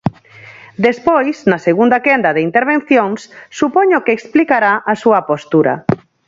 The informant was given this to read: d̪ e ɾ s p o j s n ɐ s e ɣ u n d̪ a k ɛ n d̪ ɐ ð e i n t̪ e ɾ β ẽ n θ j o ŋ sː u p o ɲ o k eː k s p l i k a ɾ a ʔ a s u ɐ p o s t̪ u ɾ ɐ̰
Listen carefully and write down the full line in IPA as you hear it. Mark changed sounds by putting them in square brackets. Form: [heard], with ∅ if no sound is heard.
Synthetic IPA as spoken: d̪ e [∅] s p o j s n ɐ s e ɣ u n d̪ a k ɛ n d̪ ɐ ð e i n t̪ e ɾ β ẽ n θ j o ŋ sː u p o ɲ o k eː k s p l i k a ɾ a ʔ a s u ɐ p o s t̪ u ɾ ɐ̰